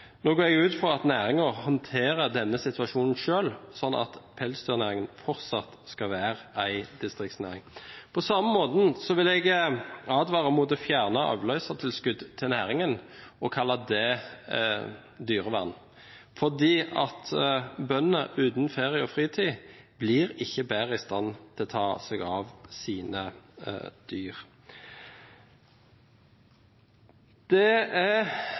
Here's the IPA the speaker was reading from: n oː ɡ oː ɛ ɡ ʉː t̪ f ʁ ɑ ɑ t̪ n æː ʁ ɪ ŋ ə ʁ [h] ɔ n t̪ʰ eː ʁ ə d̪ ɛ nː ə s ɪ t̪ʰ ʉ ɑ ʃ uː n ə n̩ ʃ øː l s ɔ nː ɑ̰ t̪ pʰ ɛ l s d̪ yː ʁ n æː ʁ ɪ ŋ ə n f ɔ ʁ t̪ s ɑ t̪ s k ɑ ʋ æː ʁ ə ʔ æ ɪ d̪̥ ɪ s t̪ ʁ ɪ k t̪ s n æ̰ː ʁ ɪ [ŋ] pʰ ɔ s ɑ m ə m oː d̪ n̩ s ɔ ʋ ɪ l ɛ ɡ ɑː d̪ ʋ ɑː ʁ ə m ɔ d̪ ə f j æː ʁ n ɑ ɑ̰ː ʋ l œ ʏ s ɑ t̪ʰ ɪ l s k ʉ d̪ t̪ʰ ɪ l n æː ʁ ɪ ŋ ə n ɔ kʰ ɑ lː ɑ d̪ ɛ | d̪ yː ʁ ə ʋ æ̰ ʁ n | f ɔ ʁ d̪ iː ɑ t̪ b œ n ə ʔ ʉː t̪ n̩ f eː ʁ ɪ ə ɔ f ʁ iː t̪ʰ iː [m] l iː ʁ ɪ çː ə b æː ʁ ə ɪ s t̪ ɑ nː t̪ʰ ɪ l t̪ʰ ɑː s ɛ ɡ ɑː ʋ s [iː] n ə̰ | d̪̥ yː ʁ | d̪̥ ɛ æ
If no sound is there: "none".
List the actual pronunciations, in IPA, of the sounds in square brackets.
h, ŋ, b, iː

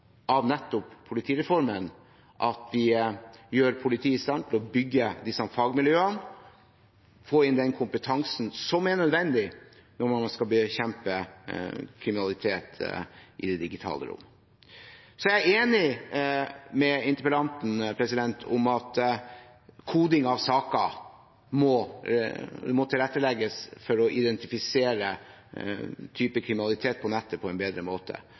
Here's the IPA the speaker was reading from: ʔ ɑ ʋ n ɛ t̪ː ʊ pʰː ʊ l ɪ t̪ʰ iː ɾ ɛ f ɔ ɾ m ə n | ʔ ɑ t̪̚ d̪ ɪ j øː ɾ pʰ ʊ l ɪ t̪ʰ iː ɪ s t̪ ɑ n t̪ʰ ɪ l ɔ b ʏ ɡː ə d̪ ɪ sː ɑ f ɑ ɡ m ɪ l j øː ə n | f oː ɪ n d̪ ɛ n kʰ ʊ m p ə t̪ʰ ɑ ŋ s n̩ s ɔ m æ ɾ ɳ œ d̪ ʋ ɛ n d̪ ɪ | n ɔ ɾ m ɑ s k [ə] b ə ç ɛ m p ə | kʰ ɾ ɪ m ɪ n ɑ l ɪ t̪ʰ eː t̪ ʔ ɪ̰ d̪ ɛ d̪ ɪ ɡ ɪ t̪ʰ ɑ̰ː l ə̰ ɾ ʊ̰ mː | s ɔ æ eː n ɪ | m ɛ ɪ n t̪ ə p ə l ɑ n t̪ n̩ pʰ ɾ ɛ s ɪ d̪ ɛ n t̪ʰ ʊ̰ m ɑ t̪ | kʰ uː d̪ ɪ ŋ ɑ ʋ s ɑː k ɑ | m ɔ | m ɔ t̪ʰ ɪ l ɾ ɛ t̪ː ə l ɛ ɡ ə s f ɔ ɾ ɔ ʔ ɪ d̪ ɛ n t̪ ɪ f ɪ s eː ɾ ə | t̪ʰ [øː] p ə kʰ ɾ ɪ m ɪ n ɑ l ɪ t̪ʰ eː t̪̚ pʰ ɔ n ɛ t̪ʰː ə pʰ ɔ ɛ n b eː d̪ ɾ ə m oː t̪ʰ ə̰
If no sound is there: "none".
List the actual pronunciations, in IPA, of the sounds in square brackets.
ɑ, yː

